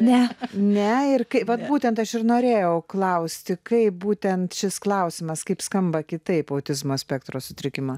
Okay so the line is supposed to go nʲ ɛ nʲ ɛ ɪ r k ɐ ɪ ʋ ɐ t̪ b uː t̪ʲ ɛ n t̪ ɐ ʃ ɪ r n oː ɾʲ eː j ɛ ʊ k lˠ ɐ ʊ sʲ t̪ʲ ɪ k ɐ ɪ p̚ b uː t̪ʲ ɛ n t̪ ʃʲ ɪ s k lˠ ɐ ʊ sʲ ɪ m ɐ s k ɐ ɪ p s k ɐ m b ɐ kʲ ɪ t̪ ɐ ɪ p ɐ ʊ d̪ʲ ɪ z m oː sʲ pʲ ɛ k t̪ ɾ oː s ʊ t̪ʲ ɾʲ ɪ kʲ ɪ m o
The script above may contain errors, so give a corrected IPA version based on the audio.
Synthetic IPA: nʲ ɛ nʲ ɛ ɪ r k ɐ ɪ ʋ ɐ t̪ b uː t̪ʲ ɛ n t̪ ɐ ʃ ɪ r n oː ɾʲ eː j ɛ ʊ k lˠ ɐ ʊ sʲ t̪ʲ ɪ k ɐ ɪ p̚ b uː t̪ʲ ɛ n t̪ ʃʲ ɪ s k lˠ ɐ ʊ sʲ ɪ m ɐ s k ɐ ɪ p s k ɐ m b ɐ kʲ ɪ t̪ ɐ ɪ p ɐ ʊ t̪ʲ ɪ z m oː sʲ pʲ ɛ k t̪ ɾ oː s ʊ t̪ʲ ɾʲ ɪ kʲ ɪ m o